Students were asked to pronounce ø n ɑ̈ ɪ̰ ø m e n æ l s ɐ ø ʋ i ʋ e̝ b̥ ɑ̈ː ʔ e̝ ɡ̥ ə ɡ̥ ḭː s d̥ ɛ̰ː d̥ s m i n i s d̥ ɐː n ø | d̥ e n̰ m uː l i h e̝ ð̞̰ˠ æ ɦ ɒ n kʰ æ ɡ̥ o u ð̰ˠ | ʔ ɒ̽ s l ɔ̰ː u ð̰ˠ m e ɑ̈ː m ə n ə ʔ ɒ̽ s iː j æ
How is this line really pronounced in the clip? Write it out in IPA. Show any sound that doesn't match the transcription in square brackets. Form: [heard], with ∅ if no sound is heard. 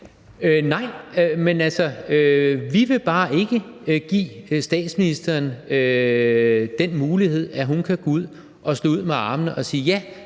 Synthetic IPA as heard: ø n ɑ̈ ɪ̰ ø m e n æ l s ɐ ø ʋ i ʋ e̝ b̥ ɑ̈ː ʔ e̝ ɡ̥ ə ɡ̥ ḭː s d̥ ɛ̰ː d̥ s m i n i s d̥ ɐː n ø | d̥ e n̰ m uː l i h e̝ ð̞̰ˠ æ ɦ [u] n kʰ æ ɡ̥ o u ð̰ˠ | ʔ ɒ̽ s l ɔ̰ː u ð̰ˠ m e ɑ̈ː m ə n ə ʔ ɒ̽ s iː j æ